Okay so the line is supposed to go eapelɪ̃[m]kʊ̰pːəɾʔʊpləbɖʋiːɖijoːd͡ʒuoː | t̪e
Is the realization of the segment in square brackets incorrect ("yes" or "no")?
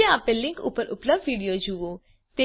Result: yes